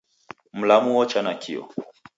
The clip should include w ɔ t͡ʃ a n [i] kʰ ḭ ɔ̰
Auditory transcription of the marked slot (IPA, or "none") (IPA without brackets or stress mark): a